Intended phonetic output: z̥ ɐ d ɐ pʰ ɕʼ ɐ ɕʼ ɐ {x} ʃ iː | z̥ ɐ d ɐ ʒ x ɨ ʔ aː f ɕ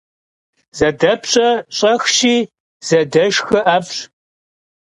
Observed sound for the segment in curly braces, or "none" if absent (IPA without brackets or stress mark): x